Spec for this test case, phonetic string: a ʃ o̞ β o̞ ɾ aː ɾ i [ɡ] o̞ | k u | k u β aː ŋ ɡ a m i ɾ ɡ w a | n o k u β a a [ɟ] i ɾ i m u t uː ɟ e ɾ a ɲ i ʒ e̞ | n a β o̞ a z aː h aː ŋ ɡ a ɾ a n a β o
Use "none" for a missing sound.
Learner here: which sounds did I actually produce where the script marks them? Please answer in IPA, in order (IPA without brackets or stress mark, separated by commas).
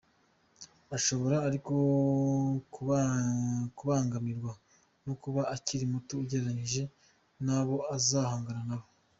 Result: k, c